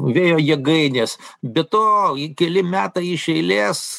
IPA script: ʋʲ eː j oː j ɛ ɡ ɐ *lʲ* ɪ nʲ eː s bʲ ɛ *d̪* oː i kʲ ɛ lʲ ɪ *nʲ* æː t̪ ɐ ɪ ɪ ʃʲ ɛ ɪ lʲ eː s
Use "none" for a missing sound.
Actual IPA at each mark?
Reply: none, t̪, mʲ

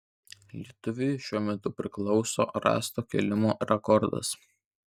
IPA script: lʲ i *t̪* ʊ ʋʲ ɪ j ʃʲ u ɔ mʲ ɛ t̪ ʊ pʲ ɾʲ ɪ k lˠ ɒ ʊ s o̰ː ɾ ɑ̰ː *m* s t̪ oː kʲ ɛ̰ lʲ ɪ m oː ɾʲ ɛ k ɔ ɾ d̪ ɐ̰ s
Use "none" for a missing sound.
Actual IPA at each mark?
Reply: t̪, none

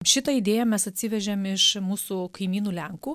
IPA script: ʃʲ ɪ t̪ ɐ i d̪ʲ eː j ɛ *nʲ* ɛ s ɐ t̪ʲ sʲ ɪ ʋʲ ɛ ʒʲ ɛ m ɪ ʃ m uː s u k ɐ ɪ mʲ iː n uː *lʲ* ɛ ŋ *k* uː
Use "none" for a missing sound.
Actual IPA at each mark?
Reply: mʲ, lʲ, k

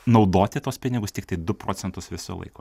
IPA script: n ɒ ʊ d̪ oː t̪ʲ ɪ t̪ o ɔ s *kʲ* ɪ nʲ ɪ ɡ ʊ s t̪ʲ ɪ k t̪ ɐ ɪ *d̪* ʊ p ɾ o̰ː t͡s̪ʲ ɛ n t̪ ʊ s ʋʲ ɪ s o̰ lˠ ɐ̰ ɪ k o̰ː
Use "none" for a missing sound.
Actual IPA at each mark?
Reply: pʲ, d̪

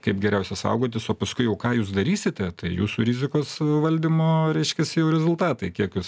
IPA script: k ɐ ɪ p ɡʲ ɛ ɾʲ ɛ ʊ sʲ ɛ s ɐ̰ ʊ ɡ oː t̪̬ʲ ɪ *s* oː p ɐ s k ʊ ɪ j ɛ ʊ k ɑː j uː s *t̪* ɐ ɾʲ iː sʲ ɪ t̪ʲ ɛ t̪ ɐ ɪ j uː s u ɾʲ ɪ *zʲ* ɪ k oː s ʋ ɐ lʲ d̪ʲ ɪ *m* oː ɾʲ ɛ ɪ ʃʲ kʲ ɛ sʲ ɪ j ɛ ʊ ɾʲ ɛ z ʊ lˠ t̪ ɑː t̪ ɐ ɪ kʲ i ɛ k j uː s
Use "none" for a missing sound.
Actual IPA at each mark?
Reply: s, d̪, zʲ, m

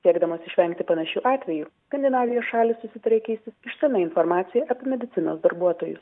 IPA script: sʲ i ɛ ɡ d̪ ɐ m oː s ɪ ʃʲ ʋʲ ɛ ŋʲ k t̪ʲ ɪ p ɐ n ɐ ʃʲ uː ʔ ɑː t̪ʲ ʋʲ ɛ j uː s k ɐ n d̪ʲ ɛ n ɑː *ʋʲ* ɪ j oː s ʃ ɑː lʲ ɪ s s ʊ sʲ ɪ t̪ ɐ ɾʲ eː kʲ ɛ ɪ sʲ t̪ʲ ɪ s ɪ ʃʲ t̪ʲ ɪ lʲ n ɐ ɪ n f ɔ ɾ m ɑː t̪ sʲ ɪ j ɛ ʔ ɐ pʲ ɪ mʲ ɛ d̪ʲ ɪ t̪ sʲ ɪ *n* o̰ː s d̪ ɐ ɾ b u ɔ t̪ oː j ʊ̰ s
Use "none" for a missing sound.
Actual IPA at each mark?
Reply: ʋʲ, n

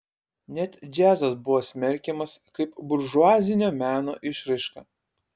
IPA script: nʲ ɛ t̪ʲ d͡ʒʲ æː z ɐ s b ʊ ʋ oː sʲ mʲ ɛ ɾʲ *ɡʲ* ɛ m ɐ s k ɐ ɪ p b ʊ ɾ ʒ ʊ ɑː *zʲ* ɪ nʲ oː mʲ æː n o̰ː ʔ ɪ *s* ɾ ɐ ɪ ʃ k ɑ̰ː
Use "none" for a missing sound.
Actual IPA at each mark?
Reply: kʲ, zʲ, ʃ

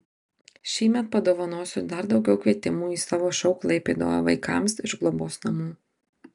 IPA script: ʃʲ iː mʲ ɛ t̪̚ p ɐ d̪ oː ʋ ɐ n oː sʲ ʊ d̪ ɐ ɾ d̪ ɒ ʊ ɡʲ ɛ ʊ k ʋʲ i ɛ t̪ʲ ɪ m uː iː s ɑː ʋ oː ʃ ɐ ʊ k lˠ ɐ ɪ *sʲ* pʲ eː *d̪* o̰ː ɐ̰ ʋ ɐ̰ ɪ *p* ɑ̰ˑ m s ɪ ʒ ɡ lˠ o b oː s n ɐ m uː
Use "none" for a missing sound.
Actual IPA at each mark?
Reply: none, d̪, k

